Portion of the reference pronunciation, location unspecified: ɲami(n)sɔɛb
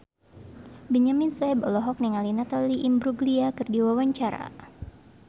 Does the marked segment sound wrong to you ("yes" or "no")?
no